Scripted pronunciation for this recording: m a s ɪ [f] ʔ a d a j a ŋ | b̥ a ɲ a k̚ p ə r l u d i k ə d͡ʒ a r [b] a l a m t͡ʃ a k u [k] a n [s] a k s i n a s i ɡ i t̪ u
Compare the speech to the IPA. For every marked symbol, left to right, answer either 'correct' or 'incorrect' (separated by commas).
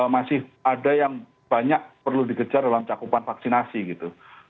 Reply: incorrect, incorrect, incorrect, incorrect